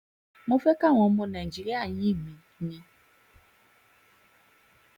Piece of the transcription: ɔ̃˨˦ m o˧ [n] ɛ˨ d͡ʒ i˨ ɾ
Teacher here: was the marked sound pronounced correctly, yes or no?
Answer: yes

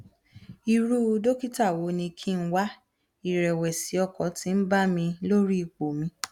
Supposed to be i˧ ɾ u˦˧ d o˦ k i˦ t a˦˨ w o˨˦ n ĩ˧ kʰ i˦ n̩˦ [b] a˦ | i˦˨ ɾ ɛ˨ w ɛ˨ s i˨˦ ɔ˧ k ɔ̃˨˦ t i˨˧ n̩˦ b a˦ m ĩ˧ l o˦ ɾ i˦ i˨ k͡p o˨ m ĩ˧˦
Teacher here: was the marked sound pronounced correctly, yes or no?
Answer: no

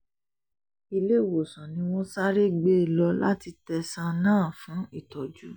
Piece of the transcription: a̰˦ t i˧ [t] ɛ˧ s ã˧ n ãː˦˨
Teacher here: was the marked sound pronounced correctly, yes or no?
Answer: yes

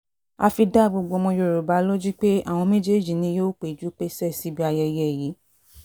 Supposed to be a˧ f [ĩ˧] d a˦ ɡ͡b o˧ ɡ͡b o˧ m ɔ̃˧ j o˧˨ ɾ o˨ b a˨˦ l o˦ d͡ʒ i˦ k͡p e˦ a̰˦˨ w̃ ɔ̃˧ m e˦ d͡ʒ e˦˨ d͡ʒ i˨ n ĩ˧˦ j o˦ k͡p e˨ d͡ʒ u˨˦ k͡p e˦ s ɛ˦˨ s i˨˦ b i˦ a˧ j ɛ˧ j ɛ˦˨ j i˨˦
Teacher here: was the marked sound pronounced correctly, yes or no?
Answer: no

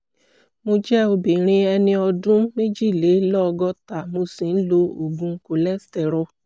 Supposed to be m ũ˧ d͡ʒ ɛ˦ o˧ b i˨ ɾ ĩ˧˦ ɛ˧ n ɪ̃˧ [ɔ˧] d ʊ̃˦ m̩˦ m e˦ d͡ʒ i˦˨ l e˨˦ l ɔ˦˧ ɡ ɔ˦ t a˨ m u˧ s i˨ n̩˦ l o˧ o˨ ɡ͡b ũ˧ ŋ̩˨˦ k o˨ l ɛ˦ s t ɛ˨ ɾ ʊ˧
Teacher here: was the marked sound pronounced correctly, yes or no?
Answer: yes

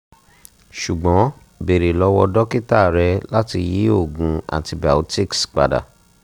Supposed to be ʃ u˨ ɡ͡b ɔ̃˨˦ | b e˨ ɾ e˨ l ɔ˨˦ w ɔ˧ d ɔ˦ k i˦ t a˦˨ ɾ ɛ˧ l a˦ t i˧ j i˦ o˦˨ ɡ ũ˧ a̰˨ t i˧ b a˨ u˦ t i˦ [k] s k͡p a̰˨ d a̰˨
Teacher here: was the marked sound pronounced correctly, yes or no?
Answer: yes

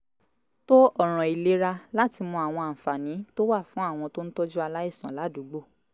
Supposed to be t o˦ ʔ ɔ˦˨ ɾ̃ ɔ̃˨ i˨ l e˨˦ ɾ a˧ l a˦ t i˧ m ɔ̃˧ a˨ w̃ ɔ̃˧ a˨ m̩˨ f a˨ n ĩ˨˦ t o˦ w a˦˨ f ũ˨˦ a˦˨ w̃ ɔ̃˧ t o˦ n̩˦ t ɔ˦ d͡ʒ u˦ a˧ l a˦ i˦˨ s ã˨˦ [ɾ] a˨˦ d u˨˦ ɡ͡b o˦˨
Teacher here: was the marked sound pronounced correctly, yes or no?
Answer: no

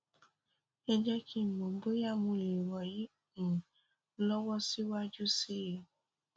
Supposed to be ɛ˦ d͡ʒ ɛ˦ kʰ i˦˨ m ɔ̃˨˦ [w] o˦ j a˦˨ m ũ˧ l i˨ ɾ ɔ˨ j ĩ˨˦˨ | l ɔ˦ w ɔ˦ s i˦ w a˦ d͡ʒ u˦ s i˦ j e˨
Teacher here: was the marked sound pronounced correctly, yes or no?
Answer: no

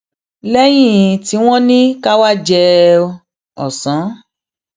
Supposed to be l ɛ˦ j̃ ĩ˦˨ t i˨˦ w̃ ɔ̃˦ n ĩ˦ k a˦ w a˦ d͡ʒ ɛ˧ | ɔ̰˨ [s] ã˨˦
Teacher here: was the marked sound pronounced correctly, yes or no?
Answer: yes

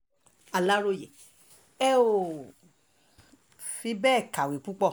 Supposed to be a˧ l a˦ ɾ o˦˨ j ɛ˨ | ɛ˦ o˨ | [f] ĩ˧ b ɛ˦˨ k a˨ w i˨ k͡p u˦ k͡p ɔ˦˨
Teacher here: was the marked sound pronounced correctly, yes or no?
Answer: yes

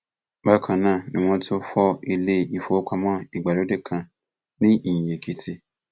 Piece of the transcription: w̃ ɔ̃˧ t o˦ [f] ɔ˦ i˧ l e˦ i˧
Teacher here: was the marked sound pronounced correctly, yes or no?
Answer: yes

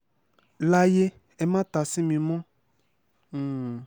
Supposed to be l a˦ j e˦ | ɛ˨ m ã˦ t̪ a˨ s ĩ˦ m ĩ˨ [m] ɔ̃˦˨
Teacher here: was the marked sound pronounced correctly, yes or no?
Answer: yes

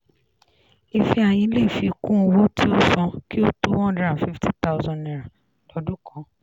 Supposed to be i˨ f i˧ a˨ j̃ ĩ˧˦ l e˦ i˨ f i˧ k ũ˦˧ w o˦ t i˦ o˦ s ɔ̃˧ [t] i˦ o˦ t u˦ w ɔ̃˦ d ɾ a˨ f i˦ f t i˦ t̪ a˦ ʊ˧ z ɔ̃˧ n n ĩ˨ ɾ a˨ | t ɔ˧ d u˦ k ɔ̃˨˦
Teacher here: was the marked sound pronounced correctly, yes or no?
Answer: no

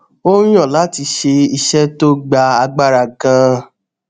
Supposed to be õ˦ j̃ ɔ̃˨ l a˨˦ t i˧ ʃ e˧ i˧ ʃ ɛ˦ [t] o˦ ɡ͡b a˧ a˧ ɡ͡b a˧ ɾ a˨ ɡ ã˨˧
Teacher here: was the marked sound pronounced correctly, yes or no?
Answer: yes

